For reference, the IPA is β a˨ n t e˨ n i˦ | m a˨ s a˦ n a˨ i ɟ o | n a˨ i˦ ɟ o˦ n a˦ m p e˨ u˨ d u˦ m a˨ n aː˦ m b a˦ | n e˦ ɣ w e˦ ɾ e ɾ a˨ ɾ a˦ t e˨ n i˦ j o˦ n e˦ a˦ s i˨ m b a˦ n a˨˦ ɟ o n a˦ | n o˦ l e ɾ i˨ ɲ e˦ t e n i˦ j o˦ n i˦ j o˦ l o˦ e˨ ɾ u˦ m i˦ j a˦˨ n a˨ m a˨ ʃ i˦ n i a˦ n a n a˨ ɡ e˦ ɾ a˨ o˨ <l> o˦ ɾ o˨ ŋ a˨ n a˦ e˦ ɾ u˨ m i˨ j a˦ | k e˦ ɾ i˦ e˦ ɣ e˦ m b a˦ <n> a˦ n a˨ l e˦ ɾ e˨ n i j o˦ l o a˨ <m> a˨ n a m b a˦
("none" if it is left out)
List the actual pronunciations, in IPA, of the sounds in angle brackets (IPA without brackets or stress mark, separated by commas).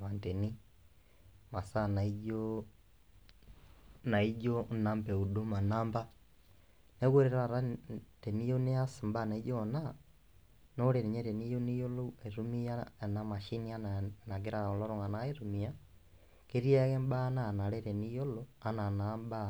l, n, n